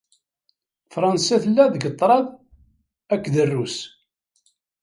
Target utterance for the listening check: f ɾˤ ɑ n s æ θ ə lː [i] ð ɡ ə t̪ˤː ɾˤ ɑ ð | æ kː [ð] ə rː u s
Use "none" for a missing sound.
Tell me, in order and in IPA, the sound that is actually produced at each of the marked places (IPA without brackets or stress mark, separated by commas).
æ, ð